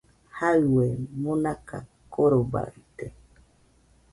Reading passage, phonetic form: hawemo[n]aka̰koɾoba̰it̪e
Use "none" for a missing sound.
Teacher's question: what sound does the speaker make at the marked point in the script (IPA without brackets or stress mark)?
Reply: n